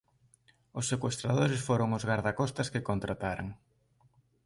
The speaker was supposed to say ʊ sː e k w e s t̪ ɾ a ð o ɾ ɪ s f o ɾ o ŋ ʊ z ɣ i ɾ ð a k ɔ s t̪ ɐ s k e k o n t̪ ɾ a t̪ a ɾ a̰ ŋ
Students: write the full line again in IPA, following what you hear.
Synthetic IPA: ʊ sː e k w e s t̪ ɾ a ð o ɾ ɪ s f o ɾ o ŋ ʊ z ɣ a ɾ ð a k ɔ s t̪ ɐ s k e k o n t̪ ɾ a t̪ a ɾ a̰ ŋ